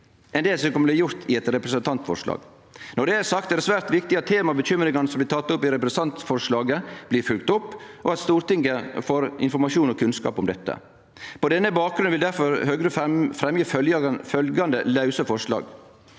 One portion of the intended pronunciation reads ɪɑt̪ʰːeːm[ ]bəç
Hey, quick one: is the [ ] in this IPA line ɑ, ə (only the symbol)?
ɑ